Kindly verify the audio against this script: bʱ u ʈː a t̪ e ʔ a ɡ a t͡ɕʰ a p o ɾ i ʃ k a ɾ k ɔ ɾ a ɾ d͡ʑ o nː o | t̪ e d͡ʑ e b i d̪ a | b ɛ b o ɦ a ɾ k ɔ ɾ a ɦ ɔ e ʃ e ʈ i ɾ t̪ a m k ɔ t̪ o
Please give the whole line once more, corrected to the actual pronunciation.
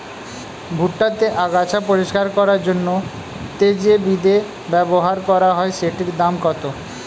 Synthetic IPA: bʱ u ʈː a t̪ e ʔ a ɡ a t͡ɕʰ a p o ɾ i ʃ k a ɾ k ɔ ɾ a ɾ d͡ʑ o nː o | t̪ e d͡ʑ e b i d̪ e | b ɛ b o ɦ a ɾ k ɔ ɾ a ɦ ɔ e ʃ e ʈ i ɾ d̪ a m k ɔ t̪ o